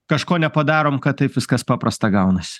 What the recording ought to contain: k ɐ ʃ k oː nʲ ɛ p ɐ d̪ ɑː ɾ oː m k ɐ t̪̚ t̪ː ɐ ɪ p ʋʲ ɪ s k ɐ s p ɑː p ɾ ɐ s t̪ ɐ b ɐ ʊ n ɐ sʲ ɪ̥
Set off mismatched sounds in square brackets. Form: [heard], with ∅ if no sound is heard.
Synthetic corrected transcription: k ɐ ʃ k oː nʲ ɛ p ɐ d̪ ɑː ɾ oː m k ɐ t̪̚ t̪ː ɐ ɪ p ʋʲ ɪ s k ɐ s p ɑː p ɾ ɐ s t̪ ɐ [ɡ] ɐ ʊ n ɐ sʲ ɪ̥